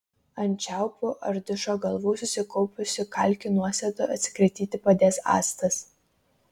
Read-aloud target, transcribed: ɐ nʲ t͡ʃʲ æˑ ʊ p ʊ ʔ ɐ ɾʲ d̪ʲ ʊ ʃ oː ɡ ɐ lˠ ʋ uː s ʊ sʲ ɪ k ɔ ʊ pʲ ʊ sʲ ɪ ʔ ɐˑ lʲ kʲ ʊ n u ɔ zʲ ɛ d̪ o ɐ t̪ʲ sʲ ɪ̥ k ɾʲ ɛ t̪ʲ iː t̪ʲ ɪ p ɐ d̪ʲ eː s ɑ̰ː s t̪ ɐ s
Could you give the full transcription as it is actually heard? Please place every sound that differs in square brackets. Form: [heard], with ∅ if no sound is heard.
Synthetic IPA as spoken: ɐ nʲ t͡ʃʲ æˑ ʊ p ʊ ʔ ɐ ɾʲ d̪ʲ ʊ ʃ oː ɡ ɐ lˠ ʋ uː s ʊ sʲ ɪ k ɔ ʊ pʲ ʊ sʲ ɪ [k] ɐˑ lʲ kʲ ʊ n u ɔ [sʲ] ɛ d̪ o ɐ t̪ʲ sʲ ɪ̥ k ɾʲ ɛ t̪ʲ iː t̪ʲ ɪ p ɐ d̪ʲ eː s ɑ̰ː s t̪ ɐ s